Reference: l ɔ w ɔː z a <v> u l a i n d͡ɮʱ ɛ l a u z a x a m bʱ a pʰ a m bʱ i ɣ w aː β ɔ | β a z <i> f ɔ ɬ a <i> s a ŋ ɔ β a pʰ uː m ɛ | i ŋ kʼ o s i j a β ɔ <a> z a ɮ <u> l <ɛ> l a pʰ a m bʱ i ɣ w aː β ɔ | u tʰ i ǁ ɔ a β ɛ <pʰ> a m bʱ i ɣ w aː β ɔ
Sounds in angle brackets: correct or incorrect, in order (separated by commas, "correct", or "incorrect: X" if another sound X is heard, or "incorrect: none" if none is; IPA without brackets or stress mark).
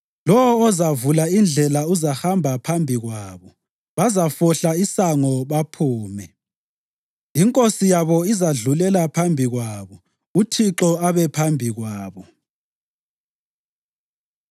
correct, incorrect: a, correct, incorrect: i, correct, correct, correct